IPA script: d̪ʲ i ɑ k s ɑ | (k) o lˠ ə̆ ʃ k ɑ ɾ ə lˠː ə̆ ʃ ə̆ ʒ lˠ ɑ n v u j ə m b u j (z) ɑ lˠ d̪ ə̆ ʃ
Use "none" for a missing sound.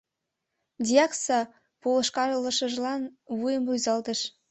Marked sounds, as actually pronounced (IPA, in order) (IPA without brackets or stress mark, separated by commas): p, z